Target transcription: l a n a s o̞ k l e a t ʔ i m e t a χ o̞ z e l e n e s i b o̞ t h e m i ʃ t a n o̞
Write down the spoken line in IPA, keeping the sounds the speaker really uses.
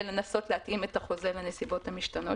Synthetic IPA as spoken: l e n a s o̞ t l e a t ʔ i m e t a χ o̞ z e l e n e s i b o̞ t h a m i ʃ t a n o̞